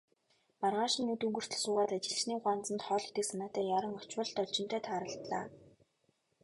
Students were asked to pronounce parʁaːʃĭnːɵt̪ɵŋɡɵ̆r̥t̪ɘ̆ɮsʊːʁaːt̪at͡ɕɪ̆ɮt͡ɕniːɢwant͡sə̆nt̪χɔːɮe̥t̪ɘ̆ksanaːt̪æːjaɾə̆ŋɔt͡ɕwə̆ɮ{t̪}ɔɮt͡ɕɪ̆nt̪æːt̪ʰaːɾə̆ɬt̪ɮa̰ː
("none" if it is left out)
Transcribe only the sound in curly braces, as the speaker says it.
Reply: t̪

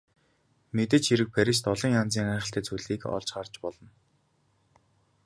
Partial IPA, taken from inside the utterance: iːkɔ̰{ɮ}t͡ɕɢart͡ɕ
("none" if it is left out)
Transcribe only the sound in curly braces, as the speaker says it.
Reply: ɮ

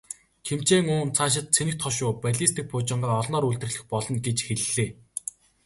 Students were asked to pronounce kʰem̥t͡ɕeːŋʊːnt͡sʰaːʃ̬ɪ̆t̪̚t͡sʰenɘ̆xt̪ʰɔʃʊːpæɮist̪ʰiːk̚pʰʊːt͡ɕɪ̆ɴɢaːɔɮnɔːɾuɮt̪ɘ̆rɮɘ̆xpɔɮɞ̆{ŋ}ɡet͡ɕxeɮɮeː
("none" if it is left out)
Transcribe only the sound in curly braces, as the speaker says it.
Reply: n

